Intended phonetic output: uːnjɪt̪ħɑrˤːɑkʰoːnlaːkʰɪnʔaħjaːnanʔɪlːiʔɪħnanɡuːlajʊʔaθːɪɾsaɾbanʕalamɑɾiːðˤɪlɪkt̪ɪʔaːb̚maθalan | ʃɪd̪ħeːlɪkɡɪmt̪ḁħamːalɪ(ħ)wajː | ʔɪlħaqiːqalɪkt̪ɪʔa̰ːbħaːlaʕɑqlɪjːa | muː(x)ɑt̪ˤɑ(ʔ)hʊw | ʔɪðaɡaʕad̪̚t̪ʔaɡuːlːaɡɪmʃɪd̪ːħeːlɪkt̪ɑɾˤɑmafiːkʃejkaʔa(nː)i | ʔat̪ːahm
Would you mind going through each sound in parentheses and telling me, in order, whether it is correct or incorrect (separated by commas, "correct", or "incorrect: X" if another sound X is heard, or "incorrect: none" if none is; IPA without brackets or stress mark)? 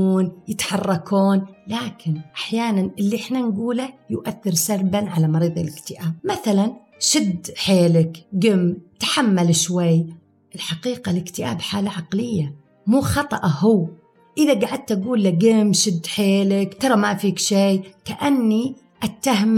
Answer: incorrect: ʃ, correct, correct, correct